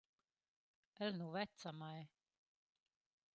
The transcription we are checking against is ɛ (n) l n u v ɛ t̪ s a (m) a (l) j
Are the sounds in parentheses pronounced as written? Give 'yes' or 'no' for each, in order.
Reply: no, yes, no

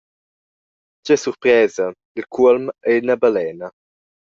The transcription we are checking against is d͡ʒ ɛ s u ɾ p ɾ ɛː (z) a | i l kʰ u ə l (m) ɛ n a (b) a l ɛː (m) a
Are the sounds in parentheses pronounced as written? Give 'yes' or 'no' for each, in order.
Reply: yes, yes, yes, no

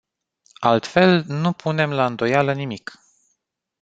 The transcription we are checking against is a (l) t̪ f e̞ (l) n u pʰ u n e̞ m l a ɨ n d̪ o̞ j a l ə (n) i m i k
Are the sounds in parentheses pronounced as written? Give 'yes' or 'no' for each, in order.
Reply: yes, yes, yes

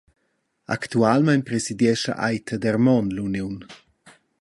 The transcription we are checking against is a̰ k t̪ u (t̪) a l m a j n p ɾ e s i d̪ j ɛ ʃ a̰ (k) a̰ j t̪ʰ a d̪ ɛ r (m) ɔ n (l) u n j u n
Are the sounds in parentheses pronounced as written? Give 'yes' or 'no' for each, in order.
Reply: no, no, yes, yes

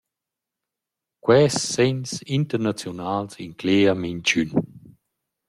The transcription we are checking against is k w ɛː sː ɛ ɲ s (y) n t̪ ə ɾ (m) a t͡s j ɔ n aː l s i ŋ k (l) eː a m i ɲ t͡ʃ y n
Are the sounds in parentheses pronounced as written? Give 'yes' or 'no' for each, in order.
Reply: no, no, yes

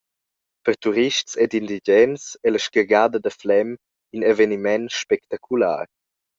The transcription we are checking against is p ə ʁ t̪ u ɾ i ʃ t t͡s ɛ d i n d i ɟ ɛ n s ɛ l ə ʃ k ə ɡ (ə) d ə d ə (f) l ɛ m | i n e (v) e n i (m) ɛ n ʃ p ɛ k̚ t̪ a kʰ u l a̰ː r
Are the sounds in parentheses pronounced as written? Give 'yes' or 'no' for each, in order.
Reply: no, yes, yes, yes

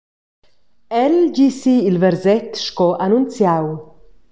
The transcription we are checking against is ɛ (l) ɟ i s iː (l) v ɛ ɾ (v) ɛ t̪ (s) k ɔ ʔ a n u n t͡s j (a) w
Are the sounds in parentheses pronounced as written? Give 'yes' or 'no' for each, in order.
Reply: yes, yes, no, no, yes

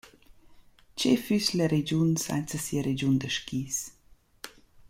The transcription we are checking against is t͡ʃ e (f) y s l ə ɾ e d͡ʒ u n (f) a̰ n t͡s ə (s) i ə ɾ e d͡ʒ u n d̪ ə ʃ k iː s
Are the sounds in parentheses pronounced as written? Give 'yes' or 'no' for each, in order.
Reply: yes, no, yes

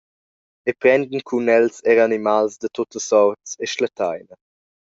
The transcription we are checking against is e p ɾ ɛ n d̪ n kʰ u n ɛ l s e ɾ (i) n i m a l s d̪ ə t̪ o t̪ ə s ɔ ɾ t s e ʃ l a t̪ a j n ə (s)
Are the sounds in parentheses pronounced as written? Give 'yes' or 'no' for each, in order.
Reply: no, no

